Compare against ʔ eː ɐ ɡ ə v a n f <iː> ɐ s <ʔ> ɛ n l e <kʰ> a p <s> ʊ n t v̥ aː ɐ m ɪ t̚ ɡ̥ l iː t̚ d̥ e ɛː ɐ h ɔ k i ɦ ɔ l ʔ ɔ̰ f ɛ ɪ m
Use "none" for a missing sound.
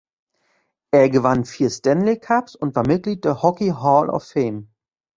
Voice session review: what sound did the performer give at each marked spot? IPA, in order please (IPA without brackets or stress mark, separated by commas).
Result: iː, t, kʰ, s